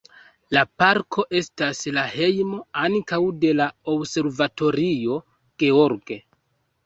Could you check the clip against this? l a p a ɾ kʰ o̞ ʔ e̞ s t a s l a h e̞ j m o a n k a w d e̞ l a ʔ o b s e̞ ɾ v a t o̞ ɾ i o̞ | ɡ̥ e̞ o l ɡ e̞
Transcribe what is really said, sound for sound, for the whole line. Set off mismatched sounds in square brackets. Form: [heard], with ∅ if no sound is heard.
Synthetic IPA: l a p a ɾ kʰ o̞ ʔ e̞ s t a s l a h e̞ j m o a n k a w d e̞ l a [∅] o b s e̞ ɾ v a t o̞ ɾ i o̞ | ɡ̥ e̞ o [ɾ] ɡ e̞